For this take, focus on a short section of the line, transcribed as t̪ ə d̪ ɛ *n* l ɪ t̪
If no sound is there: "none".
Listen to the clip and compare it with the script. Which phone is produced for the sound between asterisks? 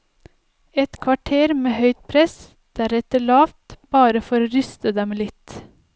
m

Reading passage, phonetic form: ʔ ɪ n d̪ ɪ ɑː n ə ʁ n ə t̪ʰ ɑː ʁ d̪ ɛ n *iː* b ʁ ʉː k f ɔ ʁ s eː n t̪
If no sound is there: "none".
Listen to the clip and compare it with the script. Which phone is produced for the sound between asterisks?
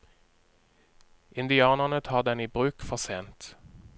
iː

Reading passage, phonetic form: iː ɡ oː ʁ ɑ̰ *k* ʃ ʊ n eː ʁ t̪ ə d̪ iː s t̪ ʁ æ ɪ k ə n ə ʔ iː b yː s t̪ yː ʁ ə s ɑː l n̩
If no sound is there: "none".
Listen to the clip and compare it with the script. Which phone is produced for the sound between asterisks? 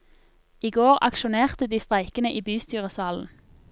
k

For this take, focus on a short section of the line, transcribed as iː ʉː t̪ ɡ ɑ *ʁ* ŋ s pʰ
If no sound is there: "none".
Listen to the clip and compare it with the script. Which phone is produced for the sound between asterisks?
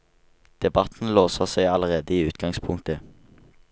none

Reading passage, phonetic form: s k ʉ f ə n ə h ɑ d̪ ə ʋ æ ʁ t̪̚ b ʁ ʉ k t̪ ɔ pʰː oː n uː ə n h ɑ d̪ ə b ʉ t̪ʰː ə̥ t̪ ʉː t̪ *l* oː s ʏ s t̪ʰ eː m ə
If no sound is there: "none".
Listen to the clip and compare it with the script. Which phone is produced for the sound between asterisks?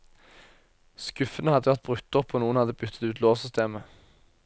l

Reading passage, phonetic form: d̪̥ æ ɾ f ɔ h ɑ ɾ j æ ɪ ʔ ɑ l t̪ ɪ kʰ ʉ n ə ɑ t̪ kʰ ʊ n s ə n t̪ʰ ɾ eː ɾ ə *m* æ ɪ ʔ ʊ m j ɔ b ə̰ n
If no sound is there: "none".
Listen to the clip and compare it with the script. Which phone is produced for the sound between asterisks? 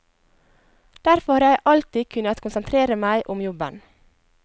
m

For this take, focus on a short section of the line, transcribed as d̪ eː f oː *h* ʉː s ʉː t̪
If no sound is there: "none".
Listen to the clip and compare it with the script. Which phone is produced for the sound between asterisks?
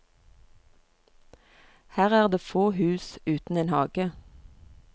h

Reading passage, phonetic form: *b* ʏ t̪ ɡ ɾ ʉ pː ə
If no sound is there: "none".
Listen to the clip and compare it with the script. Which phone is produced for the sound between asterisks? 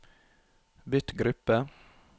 b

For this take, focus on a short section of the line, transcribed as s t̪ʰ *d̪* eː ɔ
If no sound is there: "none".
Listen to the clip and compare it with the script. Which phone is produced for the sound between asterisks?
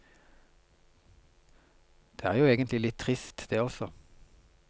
d̪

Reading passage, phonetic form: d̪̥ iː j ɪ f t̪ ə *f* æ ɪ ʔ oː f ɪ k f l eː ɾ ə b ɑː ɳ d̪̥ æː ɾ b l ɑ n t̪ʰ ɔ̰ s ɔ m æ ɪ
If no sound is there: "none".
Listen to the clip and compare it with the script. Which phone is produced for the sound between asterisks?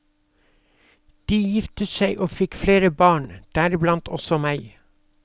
s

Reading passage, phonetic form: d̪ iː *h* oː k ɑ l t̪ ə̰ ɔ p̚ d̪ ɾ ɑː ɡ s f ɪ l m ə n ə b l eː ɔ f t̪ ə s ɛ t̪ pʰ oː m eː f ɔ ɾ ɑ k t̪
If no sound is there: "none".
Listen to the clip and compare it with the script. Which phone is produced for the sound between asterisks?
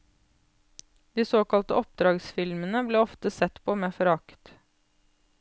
s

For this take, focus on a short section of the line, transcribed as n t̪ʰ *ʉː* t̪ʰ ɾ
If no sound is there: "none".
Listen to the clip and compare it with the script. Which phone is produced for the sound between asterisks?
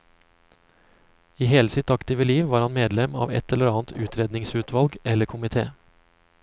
ʉː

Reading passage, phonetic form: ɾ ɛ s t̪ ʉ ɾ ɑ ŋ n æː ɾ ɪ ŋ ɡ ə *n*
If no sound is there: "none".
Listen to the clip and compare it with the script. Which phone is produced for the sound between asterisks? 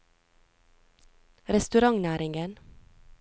n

